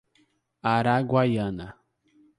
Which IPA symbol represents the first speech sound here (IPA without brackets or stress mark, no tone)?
a